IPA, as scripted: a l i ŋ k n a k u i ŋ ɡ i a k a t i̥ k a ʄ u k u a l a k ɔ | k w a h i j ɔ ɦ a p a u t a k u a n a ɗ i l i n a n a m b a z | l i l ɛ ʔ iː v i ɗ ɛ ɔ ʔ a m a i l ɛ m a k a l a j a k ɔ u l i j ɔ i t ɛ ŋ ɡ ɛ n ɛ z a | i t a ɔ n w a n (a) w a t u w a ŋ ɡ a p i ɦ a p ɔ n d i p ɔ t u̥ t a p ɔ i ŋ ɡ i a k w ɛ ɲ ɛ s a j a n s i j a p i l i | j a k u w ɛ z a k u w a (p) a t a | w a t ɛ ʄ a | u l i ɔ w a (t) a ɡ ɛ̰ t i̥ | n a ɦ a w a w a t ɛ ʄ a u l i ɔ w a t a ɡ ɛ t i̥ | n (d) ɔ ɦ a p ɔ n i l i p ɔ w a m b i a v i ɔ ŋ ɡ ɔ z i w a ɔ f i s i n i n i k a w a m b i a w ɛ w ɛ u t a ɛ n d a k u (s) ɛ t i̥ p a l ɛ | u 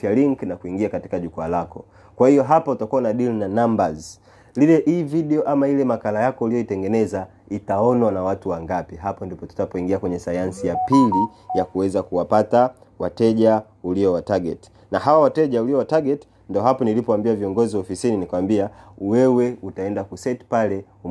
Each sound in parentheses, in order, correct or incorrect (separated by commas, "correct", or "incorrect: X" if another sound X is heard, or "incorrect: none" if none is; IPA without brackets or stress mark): correct, correct, correct, correct, correct